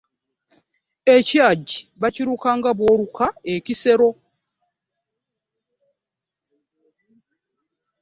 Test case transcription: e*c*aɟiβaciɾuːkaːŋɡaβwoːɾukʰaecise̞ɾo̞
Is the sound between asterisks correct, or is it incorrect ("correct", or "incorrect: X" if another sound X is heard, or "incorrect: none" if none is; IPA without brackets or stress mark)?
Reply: correct